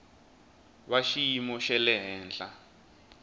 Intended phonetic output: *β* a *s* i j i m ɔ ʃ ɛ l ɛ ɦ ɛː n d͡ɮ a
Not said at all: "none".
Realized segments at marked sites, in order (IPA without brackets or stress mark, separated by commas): β, ʃ